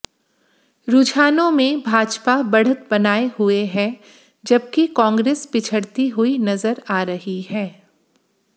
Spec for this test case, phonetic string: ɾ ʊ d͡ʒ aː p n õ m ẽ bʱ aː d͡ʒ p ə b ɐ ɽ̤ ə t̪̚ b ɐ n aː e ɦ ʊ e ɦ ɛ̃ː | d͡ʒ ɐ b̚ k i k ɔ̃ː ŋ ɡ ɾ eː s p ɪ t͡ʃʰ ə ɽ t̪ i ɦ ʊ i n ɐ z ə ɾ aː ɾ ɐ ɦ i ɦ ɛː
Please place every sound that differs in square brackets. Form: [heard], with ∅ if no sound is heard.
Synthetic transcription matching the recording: ɾ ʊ d͡ʒ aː [∅] n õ m ẽ bʱ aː d͡ʒ p [a] b ɐ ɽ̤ ə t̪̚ b ɐ n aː e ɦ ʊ e ɦ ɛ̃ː | d͡ʒ ɐ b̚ k i k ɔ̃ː ŋ ɡ ɾ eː s p ɪ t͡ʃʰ ə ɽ t̪ i ɦ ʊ i n ɐ z ə ɾ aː ɾ ɐ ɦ i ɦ ɛː